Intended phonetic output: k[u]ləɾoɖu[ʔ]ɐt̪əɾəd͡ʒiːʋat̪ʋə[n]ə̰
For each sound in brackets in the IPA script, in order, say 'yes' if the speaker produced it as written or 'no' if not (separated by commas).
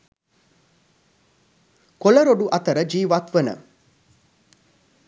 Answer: no, yes, yes